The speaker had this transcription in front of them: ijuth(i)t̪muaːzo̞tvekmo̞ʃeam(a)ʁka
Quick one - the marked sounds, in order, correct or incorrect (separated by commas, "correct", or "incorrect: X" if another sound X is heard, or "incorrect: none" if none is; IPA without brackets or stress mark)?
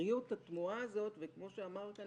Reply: incorrect: a, correct